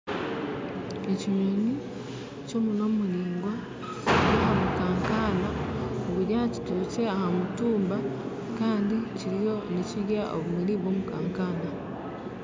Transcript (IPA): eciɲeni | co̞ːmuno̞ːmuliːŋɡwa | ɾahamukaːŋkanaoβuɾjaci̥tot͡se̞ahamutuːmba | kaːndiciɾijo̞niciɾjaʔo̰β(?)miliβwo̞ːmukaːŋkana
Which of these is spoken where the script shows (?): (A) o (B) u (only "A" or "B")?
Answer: B